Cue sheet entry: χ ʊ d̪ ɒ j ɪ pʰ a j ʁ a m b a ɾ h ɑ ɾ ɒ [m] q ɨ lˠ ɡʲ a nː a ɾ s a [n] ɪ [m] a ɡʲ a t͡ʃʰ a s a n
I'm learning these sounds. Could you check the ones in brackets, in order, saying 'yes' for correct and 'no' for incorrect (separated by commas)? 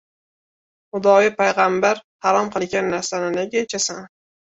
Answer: yes, yes, no